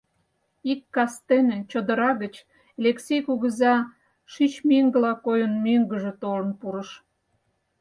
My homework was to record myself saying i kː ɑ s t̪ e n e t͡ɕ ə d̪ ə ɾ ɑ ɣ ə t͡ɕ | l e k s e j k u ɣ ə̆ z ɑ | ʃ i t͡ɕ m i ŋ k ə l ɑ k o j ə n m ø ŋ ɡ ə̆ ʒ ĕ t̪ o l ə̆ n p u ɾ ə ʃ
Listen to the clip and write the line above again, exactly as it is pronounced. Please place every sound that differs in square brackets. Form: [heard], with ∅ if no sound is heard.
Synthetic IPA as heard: i kː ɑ s t̪ e n e t͡ɕ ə d̪ ə ɾ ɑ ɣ ə t͡ɕ | l e k s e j k u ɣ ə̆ z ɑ | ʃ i t͡ɕ m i ŋ [ɡ] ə l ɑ k o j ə n m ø ŋ ɡ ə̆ ʒ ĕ t̪ o l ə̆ n p u ɾ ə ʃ